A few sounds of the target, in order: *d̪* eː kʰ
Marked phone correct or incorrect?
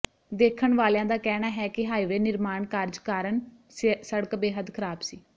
correct